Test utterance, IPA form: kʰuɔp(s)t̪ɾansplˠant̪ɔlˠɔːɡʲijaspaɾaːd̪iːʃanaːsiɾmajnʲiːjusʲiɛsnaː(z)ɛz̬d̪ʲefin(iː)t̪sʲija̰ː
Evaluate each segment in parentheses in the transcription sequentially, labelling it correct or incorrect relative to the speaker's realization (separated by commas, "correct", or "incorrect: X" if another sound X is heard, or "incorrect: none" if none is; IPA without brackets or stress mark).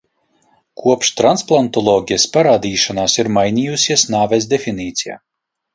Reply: incorrect: ʃ, incorrect: v, correct